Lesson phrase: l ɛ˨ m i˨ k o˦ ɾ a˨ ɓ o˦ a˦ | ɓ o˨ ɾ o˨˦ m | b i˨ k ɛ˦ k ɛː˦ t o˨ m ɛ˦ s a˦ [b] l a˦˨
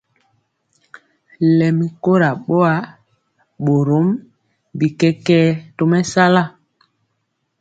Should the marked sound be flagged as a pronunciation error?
yes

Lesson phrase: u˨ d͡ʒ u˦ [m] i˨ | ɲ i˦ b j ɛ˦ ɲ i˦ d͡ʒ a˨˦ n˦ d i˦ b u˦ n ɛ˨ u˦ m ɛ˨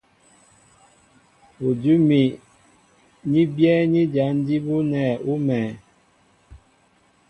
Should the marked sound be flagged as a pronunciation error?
no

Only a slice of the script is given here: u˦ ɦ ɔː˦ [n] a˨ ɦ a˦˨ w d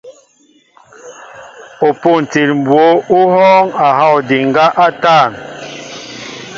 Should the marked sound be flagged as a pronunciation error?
yes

